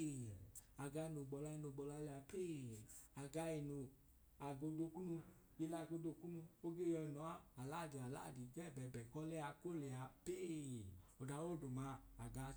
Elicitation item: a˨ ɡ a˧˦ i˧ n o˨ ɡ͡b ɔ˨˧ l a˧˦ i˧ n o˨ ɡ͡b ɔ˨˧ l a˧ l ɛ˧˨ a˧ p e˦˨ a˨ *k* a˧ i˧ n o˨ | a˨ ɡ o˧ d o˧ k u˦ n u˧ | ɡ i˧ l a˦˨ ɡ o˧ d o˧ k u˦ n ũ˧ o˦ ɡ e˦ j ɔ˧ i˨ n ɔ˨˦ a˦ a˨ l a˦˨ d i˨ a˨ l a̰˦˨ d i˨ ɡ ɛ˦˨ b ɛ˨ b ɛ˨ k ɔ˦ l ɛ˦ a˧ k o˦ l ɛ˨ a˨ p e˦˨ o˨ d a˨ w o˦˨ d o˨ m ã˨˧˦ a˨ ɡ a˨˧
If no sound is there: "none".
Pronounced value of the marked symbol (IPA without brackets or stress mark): ɡ